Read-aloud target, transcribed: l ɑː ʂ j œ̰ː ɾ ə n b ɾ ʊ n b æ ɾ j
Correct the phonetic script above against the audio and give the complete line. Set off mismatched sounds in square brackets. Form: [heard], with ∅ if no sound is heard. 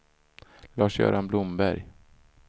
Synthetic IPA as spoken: l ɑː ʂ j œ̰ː ɾ [a] n b [l] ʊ [m] b æ ɾ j